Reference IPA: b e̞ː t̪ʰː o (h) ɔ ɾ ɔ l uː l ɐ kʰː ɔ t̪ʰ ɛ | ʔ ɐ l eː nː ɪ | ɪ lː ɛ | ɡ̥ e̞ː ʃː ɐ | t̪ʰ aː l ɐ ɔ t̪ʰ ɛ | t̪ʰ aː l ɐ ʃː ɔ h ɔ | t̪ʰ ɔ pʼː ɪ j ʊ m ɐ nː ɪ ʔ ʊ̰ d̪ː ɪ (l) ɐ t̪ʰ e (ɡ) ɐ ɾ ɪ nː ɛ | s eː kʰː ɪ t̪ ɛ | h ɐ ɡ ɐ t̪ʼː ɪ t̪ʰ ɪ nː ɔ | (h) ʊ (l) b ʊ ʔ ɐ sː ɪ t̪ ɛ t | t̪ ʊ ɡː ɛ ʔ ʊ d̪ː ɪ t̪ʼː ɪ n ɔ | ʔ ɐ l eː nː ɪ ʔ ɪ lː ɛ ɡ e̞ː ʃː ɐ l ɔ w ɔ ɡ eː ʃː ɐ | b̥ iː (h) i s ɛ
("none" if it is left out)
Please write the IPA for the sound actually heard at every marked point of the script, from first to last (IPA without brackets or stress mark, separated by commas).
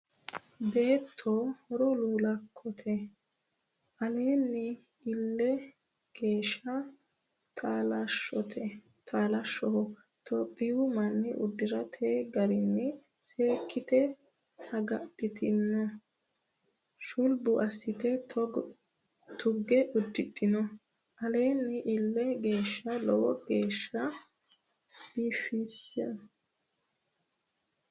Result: h, ɾ, ɡ, ʃ, l, f